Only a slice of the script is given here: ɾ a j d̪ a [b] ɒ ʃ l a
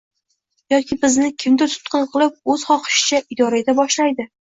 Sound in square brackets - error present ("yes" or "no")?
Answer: no